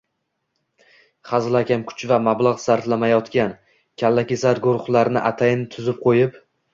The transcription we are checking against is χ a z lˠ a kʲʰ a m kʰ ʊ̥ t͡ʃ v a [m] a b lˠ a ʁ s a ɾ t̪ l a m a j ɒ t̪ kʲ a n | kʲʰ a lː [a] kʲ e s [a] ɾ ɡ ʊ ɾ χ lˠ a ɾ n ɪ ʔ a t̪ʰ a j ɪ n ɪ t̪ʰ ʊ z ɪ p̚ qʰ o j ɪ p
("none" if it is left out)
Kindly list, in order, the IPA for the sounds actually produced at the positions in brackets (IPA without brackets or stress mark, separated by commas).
m, a, a